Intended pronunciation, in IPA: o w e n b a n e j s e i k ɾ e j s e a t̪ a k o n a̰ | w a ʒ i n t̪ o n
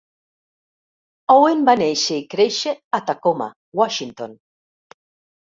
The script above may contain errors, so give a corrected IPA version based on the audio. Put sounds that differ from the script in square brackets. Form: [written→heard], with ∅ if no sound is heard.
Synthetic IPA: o w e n b a n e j [s→ʃ] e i k ɾ e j [s→ʃ] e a t̪ a k o [n→m] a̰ | w a [ʒ→ʃ] i n t̪ o n